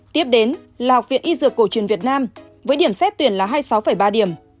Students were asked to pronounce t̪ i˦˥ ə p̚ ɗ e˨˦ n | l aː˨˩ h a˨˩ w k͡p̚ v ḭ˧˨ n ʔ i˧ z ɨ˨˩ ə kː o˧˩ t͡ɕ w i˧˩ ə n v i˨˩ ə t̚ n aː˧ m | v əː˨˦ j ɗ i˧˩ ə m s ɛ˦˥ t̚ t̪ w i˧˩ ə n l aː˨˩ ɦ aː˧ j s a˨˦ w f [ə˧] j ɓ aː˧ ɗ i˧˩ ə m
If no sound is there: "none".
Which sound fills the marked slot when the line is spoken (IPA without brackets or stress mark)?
ə˧˩